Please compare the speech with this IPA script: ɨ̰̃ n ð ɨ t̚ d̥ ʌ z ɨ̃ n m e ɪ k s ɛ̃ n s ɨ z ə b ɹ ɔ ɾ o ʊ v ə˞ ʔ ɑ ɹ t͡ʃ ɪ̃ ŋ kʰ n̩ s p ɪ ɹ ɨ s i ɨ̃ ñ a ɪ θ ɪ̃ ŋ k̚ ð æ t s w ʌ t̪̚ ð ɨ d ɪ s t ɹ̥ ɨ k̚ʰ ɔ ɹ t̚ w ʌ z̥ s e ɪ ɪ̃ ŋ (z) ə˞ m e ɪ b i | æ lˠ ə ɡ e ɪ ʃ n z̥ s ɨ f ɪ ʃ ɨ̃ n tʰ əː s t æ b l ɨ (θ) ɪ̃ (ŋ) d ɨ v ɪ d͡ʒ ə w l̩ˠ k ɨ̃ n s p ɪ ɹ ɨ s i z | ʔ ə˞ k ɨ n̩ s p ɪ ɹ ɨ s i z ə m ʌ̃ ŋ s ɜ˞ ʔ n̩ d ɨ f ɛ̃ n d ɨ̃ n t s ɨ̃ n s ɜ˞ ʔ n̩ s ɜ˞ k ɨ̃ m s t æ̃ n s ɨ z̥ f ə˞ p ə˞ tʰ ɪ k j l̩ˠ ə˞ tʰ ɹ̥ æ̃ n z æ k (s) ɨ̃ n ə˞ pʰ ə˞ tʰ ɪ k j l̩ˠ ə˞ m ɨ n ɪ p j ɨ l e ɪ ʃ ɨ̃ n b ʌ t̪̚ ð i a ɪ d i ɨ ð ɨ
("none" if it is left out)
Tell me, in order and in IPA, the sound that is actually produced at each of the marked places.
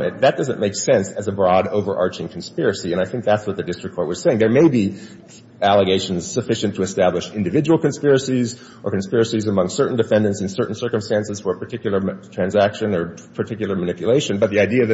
ð, ʃ, n, ʃ

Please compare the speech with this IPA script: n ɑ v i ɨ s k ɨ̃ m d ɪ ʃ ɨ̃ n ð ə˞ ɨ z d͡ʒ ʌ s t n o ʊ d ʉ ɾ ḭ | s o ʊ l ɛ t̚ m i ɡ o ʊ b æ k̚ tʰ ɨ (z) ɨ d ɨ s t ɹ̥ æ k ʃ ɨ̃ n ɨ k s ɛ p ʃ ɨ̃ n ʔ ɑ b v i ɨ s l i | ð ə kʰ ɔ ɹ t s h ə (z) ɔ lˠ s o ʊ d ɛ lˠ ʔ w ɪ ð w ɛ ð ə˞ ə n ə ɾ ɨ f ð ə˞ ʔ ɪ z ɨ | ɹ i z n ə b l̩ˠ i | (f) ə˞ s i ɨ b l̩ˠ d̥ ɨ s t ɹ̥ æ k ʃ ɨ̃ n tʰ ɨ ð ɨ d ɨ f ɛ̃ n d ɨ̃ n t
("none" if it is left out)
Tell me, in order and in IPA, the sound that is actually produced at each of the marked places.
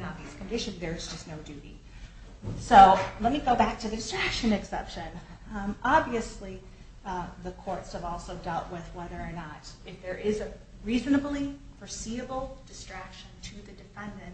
ð, v, f

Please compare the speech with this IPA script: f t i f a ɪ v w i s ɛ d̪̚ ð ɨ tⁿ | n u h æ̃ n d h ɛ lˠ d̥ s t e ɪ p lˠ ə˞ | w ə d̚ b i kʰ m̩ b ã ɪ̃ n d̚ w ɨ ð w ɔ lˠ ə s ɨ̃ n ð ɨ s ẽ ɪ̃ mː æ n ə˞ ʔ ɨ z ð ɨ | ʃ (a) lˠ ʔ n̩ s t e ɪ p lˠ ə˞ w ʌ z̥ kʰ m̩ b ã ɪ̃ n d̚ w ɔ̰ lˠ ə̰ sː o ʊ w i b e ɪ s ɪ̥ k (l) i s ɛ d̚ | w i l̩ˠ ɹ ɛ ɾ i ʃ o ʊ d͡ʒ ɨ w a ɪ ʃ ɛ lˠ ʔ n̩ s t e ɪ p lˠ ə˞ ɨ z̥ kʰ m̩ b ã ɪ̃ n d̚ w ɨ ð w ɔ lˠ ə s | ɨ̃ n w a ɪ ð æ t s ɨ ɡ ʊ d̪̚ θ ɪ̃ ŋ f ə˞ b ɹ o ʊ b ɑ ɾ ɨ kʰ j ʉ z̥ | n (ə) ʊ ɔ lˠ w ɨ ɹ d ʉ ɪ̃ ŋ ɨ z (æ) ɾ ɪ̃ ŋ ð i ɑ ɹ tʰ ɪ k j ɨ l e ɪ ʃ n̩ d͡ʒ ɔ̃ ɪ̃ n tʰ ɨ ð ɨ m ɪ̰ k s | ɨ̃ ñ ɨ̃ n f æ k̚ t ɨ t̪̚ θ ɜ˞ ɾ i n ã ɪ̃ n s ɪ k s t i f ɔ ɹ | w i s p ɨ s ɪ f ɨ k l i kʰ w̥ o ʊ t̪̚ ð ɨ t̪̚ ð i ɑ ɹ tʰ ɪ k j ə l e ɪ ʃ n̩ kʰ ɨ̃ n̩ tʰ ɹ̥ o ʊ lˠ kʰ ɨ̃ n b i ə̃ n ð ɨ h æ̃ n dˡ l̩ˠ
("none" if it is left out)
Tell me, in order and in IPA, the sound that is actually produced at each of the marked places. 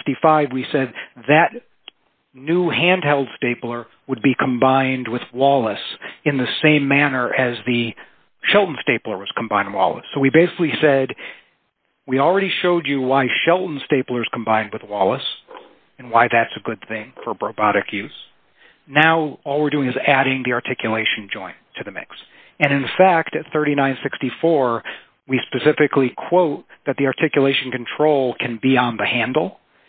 ɛ, l, a, æ

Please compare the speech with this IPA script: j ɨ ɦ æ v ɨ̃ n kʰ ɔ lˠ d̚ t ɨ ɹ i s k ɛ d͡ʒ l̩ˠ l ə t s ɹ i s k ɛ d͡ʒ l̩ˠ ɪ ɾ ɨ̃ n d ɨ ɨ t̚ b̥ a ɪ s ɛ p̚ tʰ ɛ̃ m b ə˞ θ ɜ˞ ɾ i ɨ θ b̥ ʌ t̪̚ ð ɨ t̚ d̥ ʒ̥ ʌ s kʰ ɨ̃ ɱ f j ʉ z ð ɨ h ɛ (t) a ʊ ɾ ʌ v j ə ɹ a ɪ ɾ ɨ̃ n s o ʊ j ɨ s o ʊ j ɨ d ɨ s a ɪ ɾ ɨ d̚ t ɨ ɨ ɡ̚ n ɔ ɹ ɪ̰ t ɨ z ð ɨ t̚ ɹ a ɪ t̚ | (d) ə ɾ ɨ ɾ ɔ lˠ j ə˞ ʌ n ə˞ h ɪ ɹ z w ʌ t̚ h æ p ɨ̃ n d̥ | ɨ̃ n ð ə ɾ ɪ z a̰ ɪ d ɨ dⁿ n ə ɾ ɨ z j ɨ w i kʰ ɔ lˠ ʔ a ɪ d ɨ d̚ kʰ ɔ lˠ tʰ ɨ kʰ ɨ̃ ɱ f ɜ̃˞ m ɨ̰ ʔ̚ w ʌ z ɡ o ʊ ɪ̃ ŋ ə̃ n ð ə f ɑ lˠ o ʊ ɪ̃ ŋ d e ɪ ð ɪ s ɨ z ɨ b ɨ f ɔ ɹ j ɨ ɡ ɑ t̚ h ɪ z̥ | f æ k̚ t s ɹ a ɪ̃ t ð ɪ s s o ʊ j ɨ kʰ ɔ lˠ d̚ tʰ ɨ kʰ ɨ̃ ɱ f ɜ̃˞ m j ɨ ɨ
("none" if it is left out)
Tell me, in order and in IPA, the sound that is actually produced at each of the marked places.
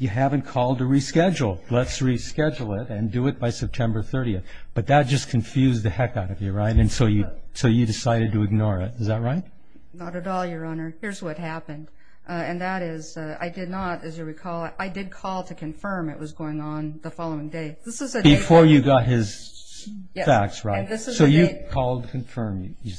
k, n

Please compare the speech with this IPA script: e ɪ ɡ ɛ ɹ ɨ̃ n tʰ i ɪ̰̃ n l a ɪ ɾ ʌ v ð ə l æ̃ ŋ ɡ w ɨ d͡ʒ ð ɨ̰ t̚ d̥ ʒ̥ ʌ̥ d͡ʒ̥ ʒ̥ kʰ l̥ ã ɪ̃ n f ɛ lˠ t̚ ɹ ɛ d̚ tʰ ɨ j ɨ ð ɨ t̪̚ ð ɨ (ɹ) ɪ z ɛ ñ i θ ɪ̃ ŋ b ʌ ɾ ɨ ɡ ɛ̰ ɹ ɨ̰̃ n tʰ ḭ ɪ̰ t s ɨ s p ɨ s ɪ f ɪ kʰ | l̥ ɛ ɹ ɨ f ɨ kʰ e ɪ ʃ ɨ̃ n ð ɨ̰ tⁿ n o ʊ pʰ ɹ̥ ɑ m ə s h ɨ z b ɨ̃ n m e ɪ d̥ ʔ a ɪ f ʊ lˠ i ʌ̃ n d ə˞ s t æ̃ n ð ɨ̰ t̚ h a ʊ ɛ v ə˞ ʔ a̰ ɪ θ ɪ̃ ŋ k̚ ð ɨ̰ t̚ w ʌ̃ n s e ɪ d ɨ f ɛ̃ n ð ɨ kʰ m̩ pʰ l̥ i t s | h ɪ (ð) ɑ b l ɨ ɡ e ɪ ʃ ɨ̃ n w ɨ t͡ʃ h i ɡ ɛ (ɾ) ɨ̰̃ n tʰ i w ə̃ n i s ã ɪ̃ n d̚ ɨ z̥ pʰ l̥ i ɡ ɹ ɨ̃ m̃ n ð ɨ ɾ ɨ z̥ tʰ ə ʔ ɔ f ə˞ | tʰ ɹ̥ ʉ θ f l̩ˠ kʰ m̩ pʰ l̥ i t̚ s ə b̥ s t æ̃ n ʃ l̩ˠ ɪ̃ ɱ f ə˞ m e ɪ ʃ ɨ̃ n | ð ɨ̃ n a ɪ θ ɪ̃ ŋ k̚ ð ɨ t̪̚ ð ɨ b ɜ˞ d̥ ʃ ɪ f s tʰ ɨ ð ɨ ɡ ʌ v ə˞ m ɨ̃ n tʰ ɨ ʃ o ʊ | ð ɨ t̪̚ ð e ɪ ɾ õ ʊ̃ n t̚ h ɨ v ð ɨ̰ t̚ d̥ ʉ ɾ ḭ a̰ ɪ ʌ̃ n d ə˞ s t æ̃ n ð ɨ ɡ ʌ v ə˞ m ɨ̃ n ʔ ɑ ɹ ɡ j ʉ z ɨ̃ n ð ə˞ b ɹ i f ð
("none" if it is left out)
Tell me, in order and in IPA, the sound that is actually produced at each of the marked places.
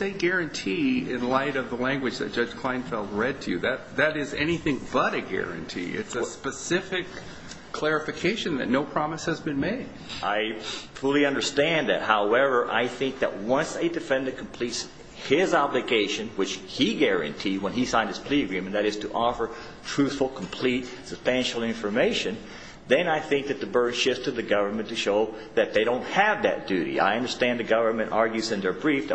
ɾ, z, ɹ

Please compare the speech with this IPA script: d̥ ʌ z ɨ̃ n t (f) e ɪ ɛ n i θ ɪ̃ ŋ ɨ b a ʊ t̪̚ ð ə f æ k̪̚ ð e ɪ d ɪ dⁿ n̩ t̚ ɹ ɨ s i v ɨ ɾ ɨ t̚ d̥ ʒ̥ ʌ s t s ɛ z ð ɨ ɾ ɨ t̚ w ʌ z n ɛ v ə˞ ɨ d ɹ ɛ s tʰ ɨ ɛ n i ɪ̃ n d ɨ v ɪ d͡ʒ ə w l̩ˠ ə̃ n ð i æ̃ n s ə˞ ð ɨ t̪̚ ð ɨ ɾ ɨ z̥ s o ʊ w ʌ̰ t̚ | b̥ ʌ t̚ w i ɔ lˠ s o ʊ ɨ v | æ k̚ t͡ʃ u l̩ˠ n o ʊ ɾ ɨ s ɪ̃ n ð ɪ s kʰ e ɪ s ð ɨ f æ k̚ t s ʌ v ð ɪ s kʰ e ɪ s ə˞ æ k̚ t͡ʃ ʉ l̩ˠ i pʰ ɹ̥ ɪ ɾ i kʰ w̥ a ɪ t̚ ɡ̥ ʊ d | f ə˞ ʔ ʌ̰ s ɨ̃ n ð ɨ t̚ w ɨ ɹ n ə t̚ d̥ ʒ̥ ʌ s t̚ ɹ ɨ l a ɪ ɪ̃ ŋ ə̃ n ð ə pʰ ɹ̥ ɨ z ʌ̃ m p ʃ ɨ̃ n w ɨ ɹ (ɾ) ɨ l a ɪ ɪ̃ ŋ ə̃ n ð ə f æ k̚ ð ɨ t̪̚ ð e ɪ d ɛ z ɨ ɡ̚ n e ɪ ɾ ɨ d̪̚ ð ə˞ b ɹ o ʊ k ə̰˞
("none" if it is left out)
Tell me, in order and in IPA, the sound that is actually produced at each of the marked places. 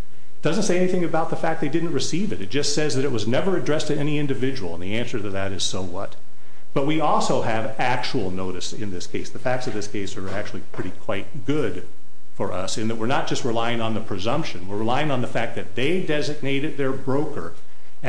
s, ɹ

